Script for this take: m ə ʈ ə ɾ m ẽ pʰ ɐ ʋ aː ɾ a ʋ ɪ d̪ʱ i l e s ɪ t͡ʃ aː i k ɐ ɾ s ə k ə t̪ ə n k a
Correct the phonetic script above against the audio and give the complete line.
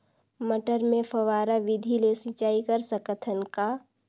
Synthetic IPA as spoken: m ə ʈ ə ɾ m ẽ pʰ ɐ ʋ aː ɾ a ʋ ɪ d̪ʱ i l e s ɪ t͡ʃ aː i k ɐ ɾ s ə k ə t̪ʰ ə n k a